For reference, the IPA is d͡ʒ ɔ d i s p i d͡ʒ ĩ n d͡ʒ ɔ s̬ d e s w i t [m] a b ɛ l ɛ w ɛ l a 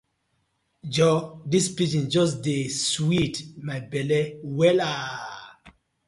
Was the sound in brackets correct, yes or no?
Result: yes